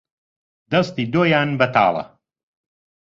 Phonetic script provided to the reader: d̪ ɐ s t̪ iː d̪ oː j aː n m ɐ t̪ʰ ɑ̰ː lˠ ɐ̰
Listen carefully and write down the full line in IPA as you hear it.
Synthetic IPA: d̪ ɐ s t̪ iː d̪ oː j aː n b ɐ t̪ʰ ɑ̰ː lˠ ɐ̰